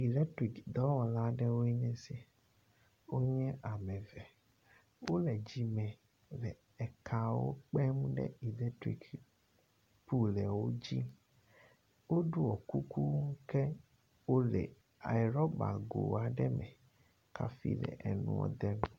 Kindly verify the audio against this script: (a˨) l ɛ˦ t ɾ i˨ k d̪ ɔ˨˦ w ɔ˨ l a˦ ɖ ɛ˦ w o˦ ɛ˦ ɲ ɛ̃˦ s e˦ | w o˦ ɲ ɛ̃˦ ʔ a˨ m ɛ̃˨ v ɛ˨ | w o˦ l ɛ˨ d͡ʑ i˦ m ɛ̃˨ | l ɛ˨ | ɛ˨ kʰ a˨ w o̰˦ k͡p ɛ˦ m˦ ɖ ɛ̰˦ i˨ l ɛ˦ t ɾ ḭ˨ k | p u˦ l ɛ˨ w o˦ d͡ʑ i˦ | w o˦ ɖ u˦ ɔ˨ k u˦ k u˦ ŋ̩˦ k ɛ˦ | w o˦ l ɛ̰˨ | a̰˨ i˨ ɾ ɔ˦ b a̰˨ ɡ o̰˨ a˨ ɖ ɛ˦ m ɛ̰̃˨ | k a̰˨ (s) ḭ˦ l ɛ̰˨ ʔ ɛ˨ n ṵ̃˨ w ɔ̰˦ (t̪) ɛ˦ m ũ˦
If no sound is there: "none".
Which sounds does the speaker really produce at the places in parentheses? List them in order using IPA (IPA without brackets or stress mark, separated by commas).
i˨, f, d̪